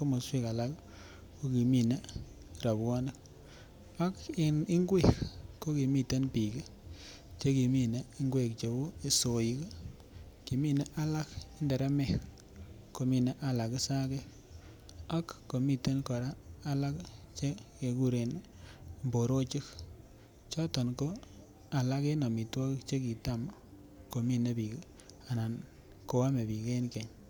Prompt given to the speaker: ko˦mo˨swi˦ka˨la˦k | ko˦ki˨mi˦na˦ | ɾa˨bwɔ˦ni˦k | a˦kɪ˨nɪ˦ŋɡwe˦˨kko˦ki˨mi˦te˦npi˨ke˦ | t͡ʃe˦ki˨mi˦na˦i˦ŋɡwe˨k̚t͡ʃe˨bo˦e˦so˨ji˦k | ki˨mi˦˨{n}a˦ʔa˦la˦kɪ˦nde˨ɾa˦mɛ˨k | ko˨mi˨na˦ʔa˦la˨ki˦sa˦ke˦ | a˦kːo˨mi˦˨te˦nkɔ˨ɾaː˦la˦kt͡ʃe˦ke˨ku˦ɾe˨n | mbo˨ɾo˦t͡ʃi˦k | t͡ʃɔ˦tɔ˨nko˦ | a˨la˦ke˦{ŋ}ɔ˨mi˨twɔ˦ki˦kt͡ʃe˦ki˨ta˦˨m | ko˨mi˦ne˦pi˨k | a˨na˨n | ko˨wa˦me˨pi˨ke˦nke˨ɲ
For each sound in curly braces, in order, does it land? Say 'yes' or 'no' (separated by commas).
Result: yes, no